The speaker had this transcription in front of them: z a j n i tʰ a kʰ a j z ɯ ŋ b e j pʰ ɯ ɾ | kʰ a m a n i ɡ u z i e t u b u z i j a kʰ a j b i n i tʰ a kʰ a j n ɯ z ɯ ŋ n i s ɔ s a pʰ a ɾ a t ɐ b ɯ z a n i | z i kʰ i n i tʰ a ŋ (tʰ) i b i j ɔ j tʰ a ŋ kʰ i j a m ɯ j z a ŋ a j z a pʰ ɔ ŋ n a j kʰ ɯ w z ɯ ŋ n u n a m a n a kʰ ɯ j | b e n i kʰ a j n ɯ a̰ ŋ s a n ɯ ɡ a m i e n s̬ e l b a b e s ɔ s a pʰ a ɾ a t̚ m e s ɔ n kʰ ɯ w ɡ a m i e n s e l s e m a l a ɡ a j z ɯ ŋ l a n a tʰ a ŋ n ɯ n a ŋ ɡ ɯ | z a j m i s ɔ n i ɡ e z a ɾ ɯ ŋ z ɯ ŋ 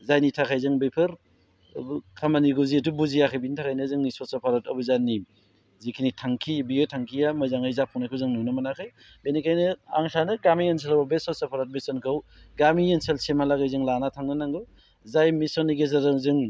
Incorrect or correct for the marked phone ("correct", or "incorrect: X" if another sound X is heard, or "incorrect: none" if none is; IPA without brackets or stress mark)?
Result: incorrect: kʰ